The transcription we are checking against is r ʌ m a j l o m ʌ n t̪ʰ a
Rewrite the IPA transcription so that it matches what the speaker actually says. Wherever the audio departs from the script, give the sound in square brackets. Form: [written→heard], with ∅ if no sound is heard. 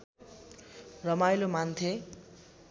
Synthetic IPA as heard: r ʌ m a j l o m [ʌ→a] n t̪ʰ [a→e]